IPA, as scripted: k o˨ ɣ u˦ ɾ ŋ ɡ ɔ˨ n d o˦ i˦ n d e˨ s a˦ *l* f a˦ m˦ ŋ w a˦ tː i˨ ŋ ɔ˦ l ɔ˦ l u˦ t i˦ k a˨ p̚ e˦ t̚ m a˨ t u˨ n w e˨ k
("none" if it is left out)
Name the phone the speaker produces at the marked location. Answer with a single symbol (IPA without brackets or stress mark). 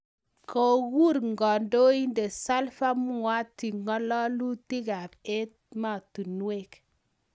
l